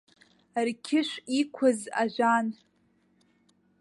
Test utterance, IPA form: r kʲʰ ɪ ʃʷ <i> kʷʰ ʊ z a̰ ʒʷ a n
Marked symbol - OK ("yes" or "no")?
yes